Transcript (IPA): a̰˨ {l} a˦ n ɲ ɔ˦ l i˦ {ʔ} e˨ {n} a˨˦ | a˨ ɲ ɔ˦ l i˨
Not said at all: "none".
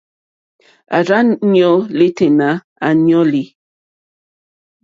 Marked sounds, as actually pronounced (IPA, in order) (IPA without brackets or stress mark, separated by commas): ɾ, t, n